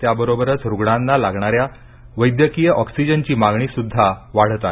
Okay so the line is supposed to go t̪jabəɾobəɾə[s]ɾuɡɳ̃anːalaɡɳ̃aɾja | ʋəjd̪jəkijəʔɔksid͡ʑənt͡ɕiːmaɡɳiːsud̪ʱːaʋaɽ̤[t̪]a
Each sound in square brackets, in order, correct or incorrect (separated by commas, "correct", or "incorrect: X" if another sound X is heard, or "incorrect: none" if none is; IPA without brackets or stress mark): incorrect: t͡s, correct